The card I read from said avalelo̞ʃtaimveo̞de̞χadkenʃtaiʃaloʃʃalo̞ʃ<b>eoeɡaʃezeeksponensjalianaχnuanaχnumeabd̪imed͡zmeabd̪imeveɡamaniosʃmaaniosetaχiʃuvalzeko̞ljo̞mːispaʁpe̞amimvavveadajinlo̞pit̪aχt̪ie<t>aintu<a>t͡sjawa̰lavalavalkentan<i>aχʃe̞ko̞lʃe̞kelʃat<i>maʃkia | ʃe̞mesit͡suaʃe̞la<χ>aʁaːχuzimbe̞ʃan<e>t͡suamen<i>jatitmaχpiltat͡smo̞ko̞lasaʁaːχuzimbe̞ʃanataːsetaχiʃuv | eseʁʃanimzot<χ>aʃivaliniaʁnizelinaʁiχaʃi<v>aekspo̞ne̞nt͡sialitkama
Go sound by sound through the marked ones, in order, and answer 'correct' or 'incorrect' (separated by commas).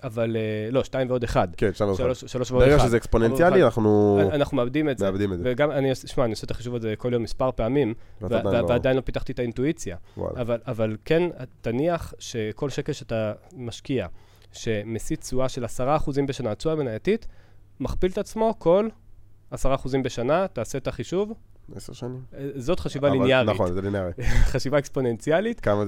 incorrect, correct, incorrect, correct, incorrect, incorrect, incorrect, incorrect, correct, correct